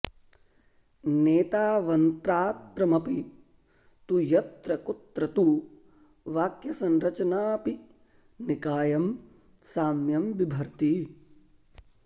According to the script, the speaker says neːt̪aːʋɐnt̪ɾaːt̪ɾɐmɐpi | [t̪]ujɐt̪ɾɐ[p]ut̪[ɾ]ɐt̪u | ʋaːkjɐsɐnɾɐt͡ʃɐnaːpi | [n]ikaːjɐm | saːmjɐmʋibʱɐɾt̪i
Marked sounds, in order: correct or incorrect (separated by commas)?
correct, incorrect, correct, correct